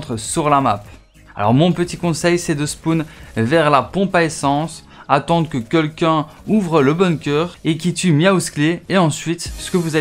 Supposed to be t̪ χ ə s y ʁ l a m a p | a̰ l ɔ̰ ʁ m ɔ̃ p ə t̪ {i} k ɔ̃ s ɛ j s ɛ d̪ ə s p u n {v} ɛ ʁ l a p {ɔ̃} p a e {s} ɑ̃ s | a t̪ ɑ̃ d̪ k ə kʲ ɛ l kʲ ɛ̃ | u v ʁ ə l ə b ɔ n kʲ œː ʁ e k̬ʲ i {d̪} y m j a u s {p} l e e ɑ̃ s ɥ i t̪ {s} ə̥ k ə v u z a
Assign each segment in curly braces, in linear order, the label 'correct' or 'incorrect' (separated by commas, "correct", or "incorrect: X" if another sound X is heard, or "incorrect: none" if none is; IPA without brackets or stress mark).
correct, correct, correct, correct, incorrect: t̪, incorrect: k, correct